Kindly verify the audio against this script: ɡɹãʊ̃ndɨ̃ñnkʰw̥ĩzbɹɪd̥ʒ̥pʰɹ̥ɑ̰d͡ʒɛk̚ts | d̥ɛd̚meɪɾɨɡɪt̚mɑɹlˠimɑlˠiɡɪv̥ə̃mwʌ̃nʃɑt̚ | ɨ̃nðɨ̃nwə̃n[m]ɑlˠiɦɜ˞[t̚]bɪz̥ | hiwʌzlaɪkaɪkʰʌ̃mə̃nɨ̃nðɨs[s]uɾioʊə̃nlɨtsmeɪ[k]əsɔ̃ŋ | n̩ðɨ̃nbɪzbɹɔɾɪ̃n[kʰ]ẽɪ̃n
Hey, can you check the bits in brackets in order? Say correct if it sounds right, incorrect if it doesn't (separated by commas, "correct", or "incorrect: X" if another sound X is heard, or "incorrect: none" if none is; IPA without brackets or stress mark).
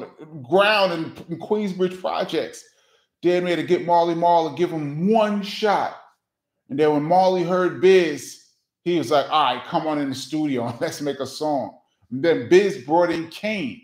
correct, incorrect: d̚, incorrect: t, correct, correct